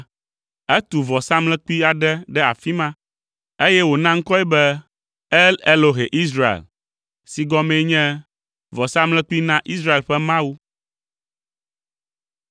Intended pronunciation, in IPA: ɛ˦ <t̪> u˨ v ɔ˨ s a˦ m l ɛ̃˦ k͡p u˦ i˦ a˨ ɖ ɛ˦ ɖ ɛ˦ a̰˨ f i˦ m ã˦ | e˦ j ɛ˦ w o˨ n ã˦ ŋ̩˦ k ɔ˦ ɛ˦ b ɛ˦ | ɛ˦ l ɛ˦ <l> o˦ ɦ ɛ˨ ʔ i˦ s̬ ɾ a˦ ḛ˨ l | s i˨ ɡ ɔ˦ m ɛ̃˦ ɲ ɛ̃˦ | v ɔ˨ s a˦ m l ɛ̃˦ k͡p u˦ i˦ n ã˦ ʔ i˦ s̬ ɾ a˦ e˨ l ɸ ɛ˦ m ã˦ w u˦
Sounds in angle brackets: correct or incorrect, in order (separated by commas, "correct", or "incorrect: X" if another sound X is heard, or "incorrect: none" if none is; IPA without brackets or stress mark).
correct, correct